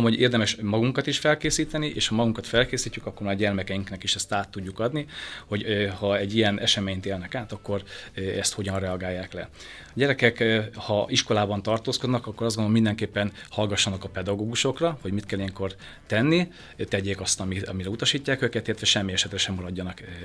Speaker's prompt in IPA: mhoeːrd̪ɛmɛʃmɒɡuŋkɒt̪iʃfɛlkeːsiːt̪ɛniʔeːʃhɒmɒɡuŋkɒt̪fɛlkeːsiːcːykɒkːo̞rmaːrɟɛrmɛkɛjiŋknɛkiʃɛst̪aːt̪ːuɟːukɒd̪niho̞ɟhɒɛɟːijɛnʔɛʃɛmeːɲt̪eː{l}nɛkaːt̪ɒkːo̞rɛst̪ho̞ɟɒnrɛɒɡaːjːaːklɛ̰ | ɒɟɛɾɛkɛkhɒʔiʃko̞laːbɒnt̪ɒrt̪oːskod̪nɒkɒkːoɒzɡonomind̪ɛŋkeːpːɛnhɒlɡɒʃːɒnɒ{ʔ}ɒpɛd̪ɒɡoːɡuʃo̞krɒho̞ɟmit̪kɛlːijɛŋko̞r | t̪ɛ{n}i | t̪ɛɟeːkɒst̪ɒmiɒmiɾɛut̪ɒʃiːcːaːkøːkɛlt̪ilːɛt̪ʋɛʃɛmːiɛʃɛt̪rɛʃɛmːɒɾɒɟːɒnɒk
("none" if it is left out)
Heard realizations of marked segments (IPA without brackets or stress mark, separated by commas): l, k, nː